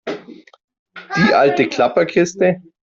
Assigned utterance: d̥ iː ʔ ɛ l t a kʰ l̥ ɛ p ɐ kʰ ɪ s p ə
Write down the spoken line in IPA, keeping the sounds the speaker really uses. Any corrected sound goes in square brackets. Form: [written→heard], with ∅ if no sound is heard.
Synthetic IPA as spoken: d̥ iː ʔ [ɛ→a] l t [a→ə] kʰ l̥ [ɛ→a] p ɐ kʰ ɪ s [p→t] ə